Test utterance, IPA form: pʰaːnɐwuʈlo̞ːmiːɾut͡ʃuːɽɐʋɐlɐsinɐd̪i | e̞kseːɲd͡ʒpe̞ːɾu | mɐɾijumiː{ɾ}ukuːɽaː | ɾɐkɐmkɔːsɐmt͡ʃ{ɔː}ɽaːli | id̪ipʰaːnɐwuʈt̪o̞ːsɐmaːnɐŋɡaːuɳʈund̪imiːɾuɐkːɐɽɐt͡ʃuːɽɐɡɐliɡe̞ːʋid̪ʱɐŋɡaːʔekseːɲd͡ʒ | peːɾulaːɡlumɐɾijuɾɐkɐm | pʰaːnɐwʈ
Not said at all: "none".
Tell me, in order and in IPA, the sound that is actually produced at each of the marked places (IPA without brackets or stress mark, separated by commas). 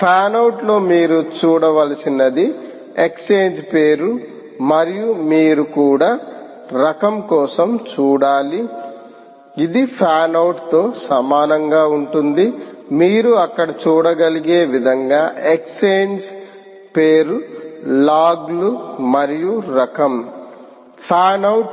ɾ, uː